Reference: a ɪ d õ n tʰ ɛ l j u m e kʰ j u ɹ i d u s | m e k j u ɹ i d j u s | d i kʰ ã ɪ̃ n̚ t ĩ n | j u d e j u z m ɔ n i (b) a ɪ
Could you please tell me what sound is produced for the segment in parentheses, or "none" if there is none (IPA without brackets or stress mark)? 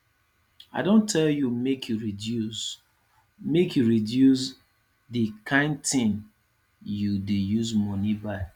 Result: b